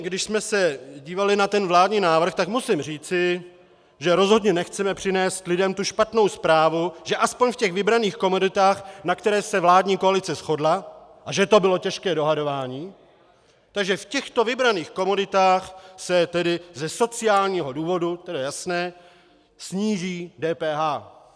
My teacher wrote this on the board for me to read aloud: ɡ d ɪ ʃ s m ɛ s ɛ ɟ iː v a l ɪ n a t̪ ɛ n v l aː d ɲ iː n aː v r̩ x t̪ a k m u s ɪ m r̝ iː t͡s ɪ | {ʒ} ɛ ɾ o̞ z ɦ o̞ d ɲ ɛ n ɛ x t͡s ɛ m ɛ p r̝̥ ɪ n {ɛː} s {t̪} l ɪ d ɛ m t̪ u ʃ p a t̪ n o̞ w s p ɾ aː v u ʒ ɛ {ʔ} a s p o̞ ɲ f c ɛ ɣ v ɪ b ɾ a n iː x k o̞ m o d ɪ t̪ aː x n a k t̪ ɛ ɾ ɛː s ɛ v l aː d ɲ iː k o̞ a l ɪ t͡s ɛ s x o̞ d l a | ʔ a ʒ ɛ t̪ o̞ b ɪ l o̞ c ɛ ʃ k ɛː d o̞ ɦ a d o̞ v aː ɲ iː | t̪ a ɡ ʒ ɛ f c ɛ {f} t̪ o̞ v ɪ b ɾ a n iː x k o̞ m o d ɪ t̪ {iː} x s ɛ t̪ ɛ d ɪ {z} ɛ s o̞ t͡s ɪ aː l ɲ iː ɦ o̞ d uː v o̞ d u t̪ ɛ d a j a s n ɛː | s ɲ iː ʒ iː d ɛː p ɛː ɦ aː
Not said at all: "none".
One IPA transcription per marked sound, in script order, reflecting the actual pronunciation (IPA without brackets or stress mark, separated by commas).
ʒ, ɛː, t̪, ʔ, x, aː, z